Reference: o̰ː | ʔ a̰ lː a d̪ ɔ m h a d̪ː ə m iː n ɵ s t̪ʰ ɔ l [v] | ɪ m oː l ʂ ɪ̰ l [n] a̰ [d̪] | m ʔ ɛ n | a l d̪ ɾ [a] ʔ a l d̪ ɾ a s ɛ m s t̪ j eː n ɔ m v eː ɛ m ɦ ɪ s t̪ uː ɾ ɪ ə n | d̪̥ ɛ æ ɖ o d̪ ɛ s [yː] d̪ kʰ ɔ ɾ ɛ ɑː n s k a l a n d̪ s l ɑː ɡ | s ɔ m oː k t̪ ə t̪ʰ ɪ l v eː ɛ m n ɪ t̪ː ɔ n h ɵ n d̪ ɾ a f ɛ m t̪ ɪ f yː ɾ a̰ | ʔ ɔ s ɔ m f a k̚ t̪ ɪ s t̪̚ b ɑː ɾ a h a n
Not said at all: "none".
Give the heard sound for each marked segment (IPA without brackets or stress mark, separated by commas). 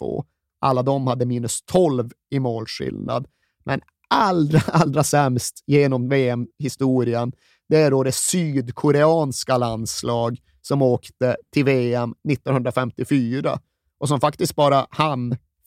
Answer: v, n, d̪, a, yː